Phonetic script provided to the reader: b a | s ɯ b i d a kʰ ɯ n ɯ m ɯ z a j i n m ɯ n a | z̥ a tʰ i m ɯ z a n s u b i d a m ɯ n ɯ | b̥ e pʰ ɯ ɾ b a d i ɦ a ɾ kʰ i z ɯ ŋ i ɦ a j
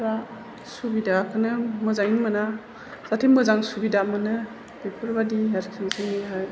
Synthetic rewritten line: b a | s u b i d a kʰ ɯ n ɯ m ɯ z a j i n m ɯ n a | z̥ a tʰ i m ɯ z a ŋ s u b i d a m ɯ n ɯ | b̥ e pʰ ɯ ɾ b a d i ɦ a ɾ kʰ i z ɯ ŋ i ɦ a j